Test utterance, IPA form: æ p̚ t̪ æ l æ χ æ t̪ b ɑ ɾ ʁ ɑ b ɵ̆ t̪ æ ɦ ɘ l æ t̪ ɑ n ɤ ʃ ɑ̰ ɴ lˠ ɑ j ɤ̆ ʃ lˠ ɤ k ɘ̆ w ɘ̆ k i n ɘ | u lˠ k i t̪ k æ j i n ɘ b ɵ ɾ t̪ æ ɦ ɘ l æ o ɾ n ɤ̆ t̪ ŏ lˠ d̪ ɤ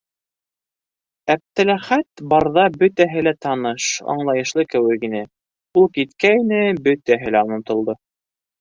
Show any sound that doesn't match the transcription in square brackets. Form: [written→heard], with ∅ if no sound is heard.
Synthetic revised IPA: æ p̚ t̪ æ l æ χ æ t̪ b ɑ ɾ [ʁ→ð] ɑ b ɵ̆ t̪ æ ɦ ɘ l æ t̪ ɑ n ɤ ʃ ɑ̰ ɴ lˠ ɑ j ɤ̆ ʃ lˠ ɤ k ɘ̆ w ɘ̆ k i n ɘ | u lˠ k i t̪ k æ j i n ɘ b ɵ [ɾ→∅] t̪ æ ɦ ɘ l æ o [ɾ→∅] n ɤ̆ t̪ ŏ lˠ d̪ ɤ